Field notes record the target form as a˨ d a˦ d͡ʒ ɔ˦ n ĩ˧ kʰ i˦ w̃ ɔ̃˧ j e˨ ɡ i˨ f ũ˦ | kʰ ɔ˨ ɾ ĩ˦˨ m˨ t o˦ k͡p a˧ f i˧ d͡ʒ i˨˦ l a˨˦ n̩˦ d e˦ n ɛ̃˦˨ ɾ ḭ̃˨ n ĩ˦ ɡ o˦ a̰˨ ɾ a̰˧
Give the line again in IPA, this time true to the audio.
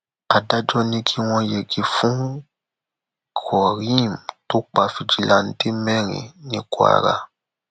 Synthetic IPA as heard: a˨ d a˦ d͡ʒ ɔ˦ n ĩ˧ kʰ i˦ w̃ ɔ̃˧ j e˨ ɡ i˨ f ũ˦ | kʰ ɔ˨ ɾ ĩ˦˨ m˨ t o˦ k͡p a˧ f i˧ d͡ʒ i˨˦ l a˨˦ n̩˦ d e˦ m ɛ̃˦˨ ɾ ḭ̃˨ n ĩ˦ k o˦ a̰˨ ɾ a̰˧

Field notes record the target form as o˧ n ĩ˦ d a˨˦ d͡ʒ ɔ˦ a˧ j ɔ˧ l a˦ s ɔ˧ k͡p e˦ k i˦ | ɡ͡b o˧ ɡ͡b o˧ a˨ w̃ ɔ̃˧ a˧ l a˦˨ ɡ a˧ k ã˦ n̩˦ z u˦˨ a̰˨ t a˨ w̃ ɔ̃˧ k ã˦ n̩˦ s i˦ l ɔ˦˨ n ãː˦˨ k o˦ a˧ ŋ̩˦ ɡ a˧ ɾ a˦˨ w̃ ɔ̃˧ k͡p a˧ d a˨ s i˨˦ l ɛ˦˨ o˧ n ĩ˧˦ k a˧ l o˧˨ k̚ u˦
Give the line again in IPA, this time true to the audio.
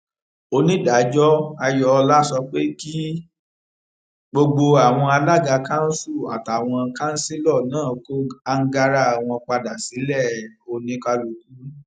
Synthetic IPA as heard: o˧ n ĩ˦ d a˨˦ d͡ʒ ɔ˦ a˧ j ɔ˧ l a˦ s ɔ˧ k͡p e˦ k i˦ | ɡ͡b o˧ ɡ͡b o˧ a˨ w̃ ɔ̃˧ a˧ l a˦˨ ɡ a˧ k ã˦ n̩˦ s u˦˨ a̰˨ t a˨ w̃ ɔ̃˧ k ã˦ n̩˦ s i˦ l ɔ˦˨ n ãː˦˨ k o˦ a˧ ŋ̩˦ ɡ a˧ ɾ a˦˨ w̃ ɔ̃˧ k͡p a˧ d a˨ s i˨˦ l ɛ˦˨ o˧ n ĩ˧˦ k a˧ l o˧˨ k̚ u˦

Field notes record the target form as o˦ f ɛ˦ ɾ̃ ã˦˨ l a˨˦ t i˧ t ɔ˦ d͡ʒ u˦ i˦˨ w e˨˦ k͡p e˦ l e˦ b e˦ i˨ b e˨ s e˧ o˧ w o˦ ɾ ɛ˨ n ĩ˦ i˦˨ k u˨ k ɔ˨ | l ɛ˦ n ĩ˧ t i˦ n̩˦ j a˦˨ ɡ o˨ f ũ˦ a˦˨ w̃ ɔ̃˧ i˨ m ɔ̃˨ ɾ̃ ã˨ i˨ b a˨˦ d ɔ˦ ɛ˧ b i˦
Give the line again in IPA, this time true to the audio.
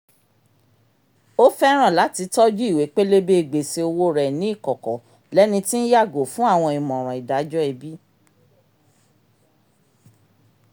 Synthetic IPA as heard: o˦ f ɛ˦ ɾ̃ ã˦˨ l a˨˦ t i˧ t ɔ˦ d͡ʒ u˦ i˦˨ w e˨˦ k͡p e˦ l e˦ b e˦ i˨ ɡ͡b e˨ s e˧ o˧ w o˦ ɾ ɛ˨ n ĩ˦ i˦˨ k ɔ˨ k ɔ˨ | l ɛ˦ n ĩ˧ t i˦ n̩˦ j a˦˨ ɡ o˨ f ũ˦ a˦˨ w̃ ɔ̃˧ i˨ m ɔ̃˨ ɾ̃ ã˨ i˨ d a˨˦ d͡ʒ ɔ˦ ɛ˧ b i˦

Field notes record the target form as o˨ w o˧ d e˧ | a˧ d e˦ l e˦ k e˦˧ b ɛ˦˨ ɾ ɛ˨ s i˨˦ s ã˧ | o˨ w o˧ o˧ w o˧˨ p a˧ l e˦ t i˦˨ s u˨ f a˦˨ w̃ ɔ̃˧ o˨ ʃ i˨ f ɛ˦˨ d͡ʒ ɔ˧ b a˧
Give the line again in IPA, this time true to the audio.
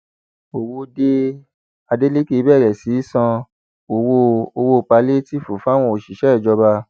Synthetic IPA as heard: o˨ w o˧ d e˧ | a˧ d e˦ l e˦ k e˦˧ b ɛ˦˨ ɾ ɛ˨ s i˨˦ s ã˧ | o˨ w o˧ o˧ w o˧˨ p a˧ l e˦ t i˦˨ f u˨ f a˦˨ w̃ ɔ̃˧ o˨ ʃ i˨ ʃ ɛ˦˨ d͡ʒ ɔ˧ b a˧

